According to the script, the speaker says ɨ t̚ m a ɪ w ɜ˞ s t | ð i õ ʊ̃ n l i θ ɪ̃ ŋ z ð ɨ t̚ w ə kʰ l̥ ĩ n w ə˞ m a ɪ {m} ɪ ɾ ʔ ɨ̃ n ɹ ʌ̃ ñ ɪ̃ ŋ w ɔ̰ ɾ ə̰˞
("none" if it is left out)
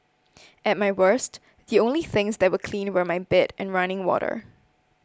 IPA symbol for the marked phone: b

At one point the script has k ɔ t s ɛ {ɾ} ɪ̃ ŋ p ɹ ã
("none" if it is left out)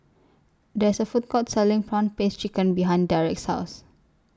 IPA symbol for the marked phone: l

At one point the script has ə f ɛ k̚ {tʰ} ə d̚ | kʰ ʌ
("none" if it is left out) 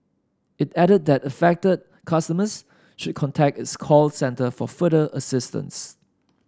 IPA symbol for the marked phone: t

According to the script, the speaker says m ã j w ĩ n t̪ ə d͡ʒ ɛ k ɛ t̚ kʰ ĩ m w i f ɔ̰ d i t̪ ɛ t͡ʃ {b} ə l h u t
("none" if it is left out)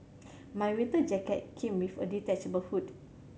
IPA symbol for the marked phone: b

